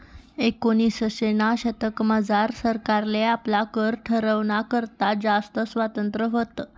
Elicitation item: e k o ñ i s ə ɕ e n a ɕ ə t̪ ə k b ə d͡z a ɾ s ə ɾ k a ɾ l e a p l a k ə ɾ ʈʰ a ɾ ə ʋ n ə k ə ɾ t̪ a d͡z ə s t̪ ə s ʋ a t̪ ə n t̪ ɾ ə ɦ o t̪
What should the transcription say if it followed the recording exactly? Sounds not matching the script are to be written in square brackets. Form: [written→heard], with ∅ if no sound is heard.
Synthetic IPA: e k o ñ i s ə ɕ e n a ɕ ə t̪ ə k [b→m] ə d͡z a ɾ s ə ɾ k a ɾ l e a p l a k ə ɾ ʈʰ [a→ə] ɾ ə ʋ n [ə→a] k ə ɾ t̪ a d͡z [ə→a] s t̪ ə s ʋ a t̪ ə n t̪ ɾ ə ɦ o t̪

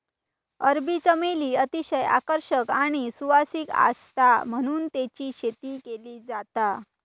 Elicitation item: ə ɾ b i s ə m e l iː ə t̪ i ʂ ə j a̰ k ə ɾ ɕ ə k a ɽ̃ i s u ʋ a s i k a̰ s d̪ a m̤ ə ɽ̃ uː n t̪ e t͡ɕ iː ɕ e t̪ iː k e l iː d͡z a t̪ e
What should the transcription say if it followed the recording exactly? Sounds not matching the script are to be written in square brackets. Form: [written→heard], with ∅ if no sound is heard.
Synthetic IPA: ə ɾ b i [s→t͡s] ə m e l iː ə t̪ i [ʂ→ɕ] ə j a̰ k ə ɾ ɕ ə k a ɽ̃ i s u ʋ a s i k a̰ s [d̪→t̪] a m̤ ə ɽ̃ uː n t̪ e t͡ɕ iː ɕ e t̪ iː k e l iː d͡z a t̪ [e→a]

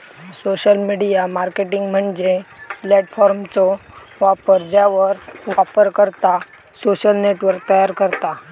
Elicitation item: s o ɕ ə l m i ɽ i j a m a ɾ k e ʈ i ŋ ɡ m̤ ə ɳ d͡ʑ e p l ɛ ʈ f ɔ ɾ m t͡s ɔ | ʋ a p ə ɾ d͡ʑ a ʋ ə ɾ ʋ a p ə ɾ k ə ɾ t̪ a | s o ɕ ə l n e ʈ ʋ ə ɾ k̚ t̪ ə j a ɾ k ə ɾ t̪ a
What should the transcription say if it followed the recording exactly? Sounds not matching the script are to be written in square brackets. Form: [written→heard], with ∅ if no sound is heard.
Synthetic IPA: s o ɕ ə l m i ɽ i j a m a ɾ k e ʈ i ŋ ɡ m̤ ə ɳ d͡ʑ e p l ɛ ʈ f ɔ ɾ m t͡s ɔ | ʋ a p ə ɾ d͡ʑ a ʋ ə ɾ ʋ a p ə ɾ k ə ɾ t̪ a | s o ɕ ə l n e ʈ ʋ ə ɾ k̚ t̪ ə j a ɾ k ə ɾ t̪ a

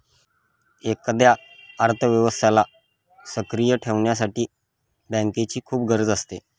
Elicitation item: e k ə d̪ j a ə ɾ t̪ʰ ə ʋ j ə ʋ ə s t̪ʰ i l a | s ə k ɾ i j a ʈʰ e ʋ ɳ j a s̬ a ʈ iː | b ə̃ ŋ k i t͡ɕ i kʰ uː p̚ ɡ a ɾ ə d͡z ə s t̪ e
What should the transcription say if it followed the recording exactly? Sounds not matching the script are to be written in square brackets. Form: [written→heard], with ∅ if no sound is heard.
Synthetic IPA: e k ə d̪ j a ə ɾ t̪ʰ ə ʋ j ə ʋ ə s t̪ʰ [i→a] l a | s ə k ɾ i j [a→ə] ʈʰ e ʋ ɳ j a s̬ a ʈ iː | b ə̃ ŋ k [i→e] t͡ɕ [i→iː] kʰ uː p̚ ɡ [a→ə] ɾ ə d͡z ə s t̪ e

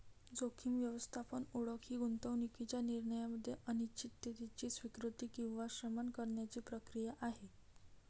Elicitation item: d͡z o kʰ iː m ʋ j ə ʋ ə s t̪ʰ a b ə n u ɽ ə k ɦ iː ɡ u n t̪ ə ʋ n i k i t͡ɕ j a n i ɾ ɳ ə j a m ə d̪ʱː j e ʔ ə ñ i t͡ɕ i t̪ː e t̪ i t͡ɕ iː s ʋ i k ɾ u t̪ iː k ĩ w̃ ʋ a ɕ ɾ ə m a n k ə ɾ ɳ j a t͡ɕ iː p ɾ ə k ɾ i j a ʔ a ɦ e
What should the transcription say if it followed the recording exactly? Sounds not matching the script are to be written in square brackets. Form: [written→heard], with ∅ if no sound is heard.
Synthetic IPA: d͡z o kʰ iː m ʋ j ə ʋ ə s t̪ʰ a [b→p] ə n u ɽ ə k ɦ iː ɡ u n t̪ ə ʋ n i k i t͡ɕ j a n i ɾ ɳ ə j a m ə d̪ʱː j e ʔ ə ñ i t͡ɕ i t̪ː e t̪ i t͡ɕ iː s ʋ i k ɾ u t̪ iː k ĩ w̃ ʋ a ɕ ɾ ə m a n k ə ɾ ɳ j a t͡ɕ iː p ɾ ə k ɾ i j a ʔ a ɦ e

